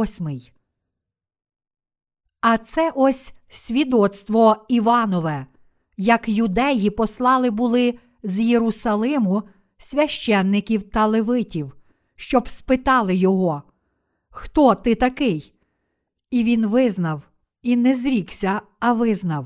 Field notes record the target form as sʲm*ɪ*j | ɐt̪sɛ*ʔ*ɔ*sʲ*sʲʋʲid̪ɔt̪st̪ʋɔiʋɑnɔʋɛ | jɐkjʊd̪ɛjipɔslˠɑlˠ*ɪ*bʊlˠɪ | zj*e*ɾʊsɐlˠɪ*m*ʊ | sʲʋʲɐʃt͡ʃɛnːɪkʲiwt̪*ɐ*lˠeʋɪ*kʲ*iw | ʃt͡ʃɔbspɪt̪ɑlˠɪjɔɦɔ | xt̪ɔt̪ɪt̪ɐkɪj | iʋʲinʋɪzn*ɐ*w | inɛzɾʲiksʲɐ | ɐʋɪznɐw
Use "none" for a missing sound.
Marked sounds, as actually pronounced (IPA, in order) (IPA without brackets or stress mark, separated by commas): ɪ, ʔ, sʲ, ɪ, e, m, ɐ, tʲ, ɐ